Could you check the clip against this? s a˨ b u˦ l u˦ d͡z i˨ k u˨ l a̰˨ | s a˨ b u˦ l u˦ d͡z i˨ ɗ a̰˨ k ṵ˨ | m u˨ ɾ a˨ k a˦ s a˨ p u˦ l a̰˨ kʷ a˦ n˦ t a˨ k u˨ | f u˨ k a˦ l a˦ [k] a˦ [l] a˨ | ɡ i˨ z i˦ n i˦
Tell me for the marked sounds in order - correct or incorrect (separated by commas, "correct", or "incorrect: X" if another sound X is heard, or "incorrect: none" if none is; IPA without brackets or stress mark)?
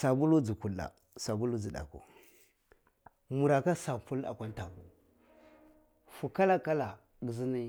correct, correct